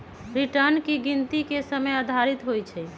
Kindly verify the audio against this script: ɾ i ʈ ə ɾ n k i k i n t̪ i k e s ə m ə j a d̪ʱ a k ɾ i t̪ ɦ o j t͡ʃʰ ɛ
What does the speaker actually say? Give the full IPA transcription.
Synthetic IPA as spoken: ɾ i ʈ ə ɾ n k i ɡ i n t̪ i k e s ə m ə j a d̪ʱ a ɾ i t̪ ɦ o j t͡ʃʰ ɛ